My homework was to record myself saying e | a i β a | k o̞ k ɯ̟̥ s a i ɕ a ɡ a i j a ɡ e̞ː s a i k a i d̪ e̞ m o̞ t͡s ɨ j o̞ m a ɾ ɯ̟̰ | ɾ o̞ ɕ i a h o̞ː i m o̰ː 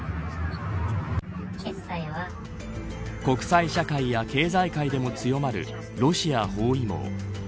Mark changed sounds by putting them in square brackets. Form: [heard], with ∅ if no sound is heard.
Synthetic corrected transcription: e | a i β a | k o̞ k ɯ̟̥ s a i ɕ a [k] a i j a [k] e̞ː [z] a i k a i d̪ e̞ m o̞ t͡s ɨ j o̞ m a ɾ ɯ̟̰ | ɾ o̞ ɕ i a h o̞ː i m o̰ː